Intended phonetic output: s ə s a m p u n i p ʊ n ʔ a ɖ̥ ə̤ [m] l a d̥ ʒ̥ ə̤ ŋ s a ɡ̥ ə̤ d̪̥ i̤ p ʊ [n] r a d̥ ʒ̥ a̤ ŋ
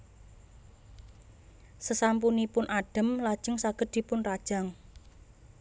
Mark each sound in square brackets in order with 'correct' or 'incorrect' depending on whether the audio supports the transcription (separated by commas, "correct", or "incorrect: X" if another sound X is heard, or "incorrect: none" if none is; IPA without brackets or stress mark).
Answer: correct, correct